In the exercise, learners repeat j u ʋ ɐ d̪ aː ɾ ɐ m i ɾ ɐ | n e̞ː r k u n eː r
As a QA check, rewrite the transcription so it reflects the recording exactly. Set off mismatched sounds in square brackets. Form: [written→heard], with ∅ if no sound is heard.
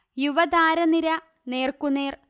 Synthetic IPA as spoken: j u ʋ ɐ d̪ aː ɾ ɐ [m→n] i ɾ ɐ | n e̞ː r k u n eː r